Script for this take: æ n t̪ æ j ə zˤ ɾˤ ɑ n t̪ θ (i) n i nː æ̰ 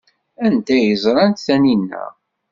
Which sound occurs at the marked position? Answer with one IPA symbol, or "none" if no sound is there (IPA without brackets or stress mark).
æ